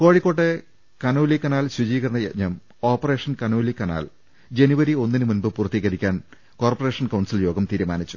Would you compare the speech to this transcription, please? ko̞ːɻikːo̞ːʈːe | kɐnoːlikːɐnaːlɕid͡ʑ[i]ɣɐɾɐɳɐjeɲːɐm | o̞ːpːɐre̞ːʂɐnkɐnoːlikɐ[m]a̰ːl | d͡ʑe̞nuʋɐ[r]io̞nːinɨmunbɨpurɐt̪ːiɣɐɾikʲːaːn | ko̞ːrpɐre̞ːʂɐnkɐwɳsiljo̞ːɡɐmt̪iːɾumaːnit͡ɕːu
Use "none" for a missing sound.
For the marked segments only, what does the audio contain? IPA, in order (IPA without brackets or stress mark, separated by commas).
iː, n, ɾ